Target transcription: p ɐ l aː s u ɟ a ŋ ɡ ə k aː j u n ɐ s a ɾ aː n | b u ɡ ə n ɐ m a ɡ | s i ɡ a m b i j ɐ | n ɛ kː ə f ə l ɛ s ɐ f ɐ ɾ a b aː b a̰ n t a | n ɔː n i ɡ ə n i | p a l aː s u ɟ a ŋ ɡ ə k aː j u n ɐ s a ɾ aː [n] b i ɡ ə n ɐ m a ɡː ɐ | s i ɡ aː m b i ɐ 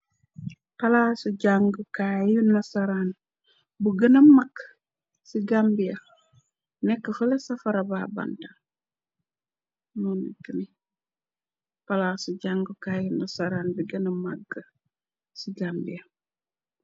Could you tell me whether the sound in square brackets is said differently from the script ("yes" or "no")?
no